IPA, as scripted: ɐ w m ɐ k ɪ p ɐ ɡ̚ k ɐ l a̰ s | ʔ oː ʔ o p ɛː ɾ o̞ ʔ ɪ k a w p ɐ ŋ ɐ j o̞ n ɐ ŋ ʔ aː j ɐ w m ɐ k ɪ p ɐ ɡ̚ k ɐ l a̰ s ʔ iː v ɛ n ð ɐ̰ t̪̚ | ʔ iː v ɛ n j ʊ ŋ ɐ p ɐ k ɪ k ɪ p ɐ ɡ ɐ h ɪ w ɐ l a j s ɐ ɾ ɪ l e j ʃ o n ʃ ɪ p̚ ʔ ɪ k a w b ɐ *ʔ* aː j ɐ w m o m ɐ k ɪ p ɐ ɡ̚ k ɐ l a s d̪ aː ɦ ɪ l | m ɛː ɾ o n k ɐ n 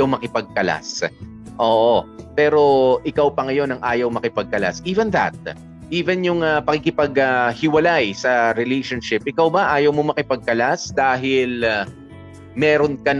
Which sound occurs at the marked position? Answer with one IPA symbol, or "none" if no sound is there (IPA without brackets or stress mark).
ʔ